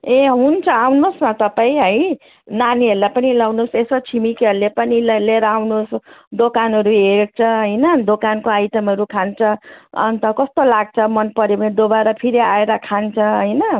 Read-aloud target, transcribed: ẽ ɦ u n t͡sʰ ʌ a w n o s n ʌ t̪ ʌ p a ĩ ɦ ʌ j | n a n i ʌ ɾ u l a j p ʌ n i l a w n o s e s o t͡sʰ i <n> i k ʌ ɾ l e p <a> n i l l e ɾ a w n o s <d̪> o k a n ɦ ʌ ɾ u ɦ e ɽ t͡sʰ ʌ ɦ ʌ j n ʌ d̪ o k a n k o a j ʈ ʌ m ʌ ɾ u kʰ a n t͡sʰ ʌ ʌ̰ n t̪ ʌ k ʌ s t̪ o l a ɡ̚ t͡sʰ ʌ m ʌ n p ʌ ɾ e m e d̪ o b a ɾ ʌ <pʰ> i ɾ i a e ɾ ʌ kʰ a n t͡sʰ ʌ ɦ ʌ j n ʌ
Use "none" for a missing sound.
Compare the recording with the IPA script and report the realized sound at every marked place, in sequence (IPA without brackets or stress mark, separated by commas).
m, ʌ, d̪, pʰ